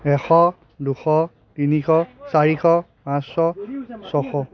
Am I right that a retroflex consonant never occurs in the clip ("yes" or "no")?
yes